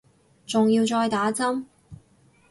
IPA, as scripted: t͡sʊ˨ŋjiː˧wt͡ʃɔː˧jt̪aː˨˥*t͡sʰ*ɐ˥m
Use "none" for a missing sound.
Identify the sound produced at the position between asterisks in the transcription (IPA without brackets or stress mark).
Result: t͡s